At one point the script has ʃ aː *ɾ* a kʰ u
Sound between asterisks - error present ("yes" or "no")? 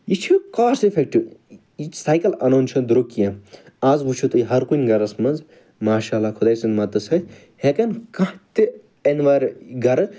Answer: yes